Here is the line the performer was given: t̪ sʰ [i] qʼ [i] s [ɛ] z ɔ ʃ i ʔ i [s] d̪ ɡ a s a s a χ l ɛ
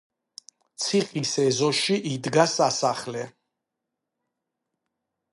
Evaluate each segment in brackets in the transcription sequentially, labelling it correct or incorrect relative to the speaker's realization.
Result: correct, correct, correct, incorrect: none

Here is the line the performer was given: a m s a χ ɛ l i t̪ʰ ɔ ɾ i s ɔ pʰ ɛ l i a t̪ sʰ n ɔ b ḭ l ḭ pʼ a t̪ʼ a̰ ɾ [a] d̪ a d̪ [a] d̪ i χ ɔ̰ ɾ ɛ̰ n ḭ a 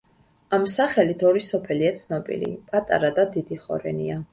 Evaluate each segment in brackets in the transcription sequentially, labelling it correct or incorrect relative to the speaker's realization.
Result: correct, incorrect: i

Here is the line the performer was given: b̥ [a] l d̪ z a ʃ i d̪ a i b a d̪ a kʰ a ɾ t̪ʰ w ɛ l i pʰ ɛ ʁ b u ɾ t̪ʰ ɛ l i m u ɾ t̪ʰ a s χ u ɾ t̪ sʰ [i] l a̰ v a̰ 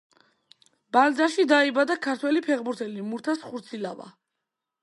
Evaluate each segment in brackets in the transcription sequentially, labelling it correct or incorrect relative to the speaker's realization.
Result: correct, correct

